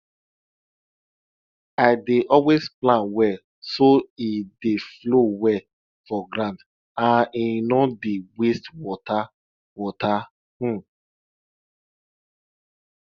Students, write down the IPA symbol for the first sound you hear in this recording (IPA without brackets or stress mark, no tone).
a